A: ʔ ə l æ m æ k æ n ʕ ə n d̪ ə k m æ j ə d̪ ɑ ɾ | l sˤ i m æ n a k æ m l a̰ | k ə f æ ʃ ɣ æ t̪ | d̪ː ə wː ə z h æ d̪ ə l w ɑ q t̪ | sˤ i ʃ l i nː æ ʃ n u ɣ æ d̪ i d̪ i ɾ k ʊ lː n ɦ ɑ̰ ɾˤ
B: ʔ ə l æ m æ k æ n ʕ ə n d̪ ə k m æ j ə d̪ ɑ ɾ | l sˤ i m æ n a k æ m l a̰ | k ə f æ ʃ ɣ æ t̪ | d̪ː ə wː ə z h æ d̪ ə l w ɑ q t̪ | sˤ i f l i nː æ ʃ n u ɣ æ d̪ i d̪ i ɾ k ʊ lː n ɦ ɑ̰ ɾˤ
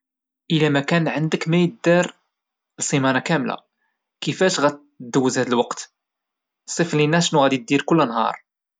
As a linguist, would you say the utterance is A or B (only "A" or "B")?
B